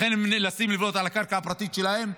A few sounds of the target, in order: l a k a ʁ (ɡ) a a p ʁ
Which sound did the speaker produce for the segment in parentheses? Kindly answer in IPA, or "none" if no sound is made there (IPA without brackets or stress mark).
k